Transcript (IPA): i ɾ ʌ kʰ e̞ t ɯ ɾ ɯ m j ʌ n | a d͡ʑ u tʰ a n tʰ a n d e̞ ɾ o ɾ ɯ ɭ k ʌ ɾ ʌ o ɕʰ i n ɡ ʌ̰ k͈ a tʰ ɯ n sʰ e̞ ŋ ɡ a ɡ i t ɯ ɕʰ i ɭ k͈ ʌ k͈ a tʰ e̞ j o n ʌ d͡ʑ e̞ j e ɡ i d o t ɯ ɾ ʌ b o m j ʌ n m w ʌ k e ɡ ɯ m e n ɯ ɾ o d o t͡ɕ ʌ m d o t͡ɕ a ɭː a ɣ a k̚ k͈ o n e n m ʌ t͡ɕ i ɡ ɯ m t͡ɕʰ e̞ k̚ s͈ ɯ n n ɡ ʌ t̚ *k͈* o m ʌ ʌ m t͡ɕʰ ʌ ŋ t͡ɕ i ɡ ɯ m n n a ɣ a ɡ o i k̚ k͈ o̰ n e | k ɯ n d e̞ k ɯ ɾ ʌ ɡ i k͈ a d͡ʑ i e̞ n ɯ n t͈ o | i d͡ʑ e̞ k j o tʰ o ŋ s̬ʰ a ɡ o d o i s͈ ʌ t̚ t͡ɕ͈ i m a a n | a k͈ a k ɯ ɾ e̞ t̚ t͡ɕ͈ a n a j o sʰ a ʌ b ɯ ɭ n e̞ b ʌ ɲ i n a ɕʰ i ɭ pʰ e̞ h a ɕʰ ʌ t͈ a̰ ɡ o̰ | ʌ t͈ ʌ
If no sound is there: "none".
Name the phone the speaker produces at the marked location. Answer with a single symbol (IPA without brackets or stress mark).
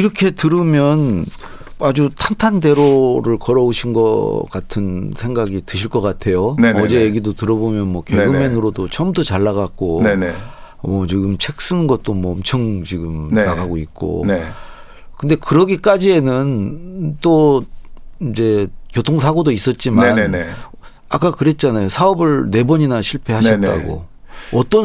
t͈